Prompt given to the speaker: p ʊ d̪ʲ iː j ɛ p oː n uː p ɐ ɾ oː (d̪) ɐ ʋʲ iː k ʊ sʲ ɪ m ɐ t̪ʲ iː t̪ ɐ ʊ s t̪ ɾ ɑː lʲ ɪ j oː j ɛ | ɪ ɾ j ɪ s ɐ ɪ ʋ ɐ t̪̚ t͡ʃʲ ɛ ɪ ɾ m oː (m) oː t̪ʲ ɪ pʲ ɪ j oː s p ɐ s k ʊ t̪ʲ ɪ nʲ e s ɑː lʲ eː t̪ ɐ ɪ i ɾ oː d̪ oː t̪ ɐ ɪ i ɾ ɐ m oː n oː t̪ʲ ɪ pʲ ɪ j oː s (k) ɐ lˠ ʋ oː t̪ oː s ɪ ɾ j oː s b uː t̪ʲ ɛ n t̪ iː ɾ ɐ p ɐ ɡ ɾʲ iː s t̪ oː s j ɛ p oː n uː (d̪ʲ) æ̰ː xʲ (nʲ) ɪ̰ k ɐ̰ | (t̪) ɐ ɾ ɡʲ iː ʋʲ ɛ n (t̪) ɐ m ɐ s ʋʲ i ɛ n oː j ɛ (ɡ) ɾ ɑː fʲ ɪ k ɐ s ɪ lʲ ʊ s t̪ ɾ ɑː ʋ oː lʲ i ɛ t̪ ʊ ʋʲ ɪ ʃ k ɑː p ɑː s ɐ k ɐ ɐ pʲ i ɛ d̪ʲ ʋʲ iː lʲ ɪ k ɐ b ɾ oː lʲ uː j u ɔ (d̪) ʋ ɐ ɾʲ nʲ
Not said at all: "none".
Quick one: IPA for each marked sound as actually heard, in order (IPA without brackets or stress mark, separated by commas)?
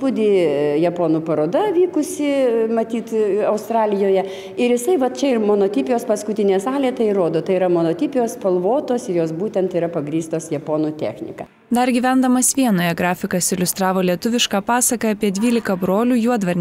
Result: d̪, n, p, t̪ʲ, nʲ, d̪, d̪, ɡ, d̪